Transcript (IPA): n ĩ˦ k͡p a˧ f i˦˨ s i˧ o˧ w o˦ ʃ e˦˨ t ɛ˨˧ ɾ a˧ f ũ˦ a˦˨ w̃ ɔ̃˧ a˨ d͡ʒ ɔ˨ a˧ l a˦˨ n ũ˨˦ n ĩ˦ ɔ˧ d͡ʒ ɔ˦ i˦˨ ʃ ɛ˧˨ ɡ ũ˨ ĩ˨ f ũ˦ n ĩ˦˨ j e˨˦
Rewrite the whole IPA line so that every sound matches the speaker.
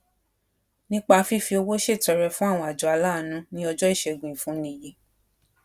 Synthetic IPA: n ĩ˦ k͡p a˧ f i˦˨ f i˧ o˧ w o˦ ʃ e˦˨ t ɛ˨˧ ɾ ɛ˧ f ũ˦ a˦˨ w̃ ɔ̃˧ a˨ d͡ʒ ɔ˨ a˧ l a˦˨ n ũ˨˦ n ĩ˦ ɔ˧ d͡ʒ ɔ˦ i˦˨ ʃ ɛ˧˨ ɡ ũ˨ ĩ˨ f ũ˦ n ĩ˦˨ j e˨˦